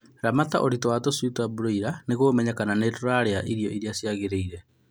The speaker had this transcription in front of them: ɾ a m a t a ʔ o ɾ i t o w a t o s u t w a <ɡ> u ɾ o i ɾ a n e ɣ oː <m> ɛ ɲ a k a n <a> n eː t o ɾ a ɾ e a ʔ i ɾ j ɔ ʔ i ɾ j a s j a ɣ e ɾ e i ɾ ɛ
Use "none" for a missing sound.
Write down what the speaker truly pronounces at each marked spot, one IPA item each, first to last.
b, m, a

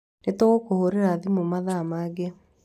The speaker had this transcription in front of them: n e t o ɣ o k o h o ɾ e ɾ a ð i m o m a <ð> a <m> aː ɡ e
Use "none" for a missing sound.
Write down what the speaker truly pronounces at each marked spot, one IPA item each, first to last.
ð, m

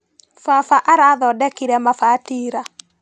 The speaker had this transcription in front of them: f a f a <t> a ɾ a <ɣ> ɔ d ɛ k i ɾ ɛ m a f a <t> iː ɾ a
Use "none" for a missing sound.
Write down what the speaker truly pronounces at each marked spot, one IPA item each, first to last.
ʔ, ð, t

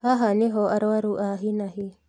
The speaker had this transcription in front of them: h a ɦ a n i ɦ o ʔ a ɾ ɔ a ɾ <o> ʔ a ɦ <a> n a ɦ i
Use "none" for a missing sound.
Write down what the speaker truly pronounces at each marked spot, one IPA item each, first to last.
u, i

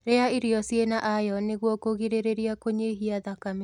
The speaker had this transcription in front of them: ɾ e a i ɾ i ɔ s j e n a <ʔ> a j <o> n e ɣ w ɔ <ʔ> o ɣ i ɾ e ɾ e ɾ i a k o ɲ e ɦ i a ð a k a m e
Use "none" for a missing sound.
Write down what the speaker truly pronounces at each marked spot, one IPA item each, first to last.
ʔ, ɔ, k

